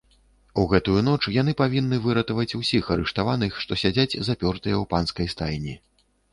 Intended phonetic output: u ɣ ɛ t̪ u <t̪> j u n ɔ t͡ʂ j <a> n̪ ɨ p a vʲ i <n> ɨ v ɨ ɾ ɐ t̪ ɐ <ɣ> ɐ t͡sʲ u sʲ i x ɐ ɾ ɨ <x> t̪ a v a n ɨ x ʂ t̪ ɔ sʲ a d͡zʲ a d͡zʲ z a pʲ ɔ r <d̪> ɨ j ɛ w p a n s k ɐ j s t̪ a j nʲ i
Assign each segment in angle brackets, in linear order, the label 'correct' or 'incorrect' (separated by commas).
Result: incorrect, correct, incorrect, incorrect, incorrect, incorrect